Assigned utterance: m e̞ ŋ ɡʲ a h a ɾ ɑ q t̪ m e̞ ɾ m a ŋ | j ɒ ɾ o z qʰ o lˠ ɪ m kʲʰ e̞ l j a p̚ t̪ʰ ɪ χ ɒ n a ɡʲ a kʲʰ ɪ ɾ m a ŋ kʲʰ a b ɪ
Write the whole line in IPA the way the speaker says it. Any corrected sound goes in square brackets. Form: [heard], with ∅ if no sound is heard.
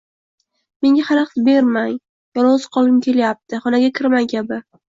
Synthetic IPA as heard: m e̞ ŋ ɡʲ a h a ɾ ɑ q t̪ [b] e̞ ɾ m a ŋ | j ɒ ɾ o z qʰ [ɒ] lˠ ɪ m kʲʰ e̞ l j a p̚ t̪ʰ ɪ χ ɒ n a ɡʲ a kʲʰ ɪ ɾ m a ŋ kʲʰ a b ɪ